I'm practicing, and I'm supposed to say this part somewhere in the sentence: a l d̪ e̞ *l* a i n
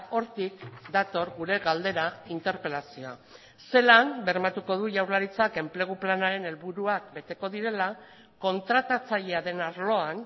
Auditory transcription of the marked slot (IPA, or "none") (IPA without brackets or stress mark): ɾ